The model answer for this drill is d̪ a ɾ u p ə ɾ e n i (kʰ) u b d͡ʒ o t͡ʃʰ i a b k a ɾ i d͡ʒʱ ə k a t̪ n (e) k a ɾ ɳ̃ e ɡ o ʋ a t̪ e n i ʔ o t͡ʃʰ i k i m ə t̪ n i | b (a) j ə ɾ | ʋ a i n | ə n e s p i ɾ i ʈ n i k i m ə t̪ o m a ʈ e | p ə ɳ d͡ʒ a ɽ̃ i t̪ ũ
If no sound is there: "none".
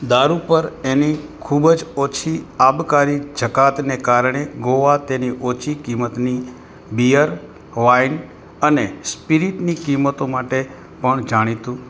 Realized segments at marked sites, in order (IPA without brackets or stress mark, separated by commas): kʰ, e, i